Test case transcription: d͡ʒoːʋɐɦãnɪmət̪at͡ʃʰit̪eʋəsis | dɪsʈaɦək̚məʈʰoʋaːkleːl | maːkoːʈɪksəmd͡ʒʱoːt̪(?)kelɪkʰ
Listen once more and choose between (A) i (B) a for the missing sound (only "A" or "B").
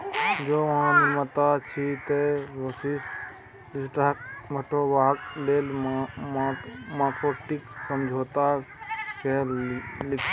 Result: B